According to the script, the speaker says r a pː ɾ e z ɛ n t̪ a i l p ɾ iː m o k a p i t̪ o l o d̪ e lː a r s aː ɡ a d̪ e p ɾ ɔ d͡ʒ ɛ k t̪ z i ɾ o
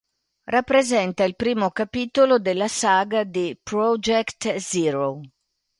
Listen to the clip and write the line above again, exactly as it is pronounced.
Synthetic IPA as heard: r a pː ɾ e z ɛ n t̪ a i l p ɾ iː m o k a p i t̪ o l o d̪ e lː a s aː ɡ a d̪ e p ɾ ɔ d͡ʒ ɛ k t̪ z i ɾ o